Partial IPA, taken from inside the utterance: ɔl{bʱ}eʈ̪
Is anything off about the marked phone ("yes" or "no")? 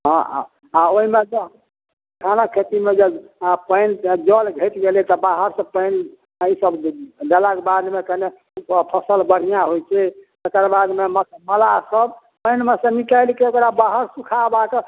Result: yes